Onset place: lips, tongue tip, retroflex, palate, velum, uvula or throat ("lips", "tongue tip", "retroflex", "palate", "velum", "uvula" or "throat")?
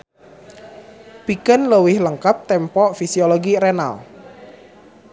lips